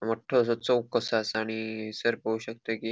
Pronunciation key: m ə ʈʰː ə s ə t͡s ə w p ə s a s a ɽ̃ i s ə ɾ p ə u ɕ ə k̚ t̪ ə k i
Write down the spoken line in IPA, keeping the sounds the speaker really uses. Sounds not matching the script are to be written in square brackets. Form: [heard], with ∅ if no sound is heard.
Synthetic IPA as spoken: m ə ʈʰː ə s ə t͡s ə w [k] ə s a s a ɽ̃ i s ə ɾ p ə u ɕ ə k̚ t̪ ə k i

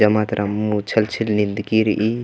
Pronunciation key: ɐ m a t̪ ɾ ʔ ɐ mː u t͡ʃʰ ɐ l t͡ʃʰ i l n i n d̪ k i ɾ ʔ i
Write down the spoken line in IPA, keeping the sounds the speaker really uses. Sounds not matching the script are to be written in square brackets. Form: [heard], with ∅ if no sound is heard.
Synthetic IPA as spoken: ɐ m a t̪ ɾ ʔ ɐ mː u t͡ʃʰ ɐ l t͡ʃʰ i l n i n d̪ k i ɾ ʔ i

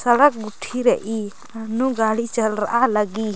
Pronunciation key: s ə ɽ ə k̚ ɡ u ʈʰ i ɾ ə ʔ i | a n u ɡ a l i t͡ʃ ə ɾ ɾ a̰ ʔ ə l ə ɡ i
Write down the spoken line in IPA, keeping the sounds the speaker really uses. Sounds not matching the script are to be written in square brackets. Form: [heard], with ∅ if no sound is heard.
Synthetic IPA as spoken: s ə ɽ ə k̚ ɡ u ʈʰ i ɾ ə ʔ i | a n u ɡ a [ɽ] i t͡ʃ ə [l] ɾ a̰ ʔ [a] l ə ɡ i

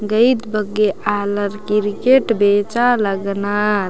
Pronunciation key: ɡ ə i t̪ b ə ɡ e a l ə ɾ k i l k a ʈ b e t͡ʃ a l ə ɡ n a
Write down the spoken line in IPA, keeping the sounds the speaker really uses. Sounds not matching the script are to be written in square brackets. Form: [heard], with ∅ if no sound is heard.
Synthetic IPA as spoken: ɡ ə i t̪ b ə ɡ e a l ə ɾ k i [ɾ] k [e] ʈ b e t͡ʃ a l ə ɡ n a

